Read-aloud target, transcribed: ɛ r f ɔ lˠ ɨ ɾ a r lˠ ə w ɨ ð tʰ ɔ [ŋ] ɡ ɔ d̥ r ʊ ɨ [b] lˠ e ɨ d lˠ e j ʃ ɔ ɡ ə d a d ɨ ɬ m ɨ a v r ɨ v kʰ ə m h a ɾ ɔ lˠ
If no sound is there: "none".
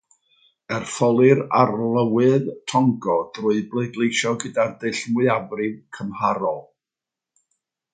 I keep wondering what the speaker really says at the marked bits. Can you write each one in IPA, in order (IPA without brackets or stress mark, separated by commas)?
ŋ, b